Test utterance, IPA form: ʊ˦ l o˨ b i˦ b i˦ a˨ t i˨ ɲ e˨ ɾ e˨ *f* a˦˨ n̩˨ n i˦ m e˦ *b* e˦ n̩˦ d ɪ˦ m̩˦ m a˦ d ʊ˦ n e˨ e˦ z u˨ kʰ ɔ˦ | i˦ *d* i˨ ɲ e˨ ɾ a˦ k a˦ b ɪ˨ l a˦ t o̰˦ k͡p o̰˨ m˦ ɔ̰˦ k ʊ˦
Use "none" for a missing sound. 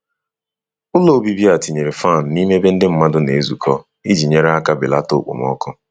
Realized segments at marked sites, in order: f, b, d͡ʒ

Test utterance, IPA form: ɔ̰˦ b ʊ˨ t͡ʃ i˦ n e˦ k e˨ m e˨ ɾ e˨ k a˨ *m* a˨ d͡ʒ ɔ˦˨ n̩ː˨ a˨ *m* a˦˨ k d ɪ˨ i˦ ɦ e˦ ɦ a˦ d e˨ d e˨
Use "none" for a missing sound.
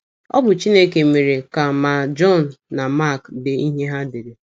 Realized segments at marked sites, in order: m, m

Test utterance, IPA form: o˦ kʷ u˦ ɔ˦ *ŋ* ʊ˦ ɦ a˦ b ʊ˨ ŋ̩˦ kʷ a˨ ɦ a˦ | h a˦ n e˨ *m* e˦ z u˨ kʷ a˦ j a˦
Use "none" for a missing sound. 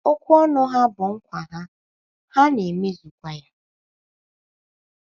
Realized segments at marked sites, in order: n, m

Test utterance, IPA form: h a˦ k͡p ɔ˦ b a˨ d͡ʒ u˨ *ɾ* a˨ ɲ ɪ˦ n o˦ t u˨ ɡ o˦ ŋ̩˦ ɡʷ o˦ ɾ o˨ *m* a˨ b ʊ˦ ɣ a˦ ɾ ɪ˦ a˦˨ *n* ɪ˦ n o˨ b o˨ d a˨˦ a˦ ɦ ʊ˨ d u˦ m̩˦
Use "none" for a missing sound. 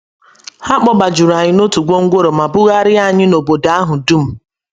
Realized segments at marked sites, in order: ɾ, m, ɲ

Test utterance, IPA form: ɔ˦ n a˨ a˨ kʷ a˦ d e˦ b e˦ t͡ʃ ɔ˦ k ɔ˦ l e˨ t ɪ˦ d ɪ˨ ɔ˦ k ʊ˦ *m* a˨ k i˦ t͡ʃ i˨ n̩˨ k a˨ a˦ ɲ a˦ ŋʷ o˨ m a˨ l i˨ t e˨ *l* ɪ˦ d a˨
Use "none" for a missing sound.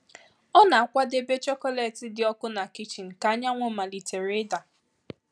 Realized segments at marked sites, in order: n, ɾ

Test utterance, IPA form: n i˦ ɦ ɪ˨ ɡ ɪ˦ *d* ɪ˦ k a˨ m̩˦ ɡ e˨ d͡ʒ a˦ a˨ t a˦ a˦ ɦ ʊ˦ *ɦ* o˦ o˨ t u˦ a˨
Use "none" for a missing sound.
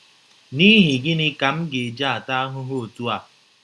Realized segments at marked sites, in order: n, ɦ

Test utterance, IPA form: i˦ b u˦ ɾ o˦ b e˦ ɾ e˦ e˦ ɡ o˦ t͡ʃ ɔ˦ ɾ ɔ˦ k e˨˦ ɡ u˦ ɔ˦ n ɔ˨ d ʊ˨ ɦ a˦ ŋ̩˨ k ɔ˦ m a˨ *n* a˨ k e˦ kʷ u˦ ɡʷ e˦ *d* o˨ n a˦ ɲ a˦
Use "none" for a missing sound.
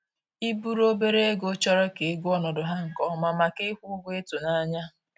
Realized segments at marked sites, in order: m, t

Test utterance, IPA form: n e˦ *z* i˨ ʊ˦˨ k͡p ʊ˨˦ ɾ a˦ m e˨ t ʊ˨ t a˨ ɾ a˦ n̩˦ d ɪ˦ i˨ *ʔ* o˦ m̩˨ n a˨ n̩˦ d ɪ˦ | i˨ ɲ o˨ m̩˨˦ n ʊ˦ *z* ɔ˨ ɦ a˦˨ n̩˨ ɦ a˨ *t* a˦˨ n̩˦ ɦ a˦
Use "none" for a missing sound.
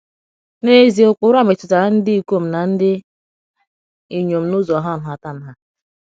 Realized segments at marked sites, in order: z, k, z, t

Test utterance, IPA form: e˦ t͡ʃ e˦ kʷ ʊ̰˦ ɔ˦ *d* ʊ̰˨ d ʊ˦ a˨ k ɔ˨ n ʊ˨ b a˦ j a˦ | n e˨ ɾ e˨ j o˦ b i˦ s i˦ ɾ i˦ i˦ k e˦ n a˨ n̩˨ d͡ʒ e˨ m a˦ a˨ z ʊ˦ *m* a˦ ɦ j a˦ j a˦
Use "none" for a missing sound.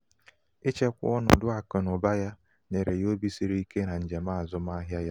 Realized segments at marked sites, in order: n, m

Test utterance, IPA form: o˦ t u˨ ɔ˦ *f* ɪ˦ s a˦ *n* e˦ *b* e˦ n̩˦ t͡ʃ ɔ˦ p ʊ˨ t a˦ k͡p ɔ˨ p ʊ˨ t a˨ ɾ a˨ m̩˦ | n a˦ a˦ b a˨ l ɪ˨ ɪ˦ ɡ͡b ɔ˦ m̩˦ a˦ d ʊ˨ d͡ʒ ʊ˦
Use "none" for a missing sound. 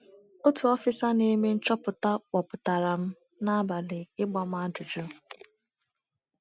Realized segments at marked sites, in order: f, n, m

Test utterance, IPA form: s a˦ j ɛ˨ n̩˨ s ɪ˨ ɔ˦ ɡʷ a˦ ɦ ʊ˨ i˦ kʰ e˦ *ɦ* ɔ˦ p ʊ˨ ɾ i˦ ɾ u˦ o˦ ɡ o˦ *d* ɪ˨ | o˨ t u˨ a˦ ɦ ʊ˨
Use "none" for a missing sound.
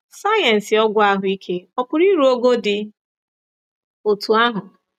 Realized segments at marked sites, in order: none, d

